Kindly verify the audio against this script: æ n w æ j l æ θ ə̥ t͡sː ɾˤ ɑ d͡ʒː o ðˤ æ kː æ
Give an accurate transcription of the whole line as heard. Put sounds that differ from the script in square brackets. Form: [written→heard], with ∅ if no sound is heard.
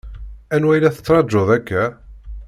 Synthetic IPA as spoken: æ n w æ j l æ θ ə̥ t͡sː ɾˤ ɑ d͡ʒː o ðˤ æ kː æ

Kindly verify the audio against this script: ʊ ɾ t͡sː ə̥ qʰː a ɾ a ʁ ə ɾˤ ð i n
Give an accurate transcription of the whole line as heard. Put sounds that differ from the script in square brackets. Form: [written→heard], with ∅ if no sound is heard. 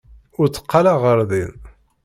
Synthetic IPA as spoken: ʊ ɾ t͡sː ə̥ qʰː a [ɾ→l] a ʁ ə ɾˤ ð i n

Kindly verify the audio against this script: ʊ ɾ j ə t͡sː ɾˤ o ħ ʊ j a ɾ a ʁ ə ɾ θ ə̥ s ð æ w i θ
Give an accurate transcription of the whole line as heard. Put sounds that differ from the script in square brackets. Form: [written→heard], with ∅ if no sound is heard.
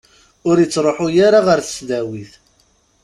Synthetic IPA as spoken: ʊ ɾ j ə t͡sː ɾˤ o ħ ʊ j a ɾ a ʁ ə ɾ θ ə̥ s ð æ w i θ

